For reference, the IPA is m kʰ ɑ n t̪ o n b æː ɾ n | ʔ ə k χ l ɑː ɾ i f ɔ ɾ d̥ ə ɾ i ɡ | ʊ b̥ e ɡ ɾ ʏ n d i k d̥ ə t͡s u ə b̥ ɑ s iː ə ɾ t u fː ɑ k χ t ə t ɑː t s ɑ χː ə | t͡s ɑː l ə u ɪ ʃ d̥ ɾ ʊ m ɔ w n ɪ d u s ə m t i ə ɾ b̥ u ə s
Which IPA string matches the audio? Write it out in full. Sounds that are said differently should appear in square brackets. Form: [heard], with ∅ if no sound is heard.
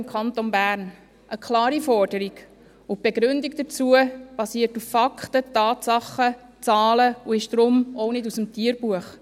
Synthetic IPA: m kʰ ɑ n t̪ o n b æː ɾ n | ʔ ə k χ l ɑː ɾ i f ɔ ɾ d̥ ə ɾ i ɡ | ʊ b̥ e ɡ ɾ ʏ n d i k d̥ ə t͡s u ə b̥ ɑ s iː ə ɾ t u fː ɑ k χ t ə t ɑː t s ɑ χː ə | t͡s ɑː l ə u ɪ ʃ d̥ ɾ ʊ m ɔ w n ɪ d u s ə m t i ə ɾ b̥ u ə [χ]